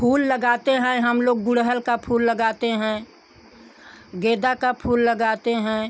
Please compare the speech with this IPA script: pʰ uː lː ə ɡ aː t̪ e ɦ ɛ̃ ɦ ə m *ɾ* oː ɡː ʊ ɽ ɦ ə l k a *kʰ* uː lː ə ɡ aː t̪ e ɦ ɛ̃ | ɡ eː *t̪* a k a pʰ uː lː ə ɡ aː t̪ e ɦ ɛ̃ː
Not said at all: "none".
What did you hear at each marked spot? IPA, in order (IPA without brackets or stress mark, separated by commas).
l, pʰ, d̪